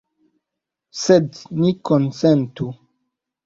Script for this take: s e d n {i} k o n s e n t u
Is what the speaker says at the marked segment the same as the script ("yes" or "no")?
yes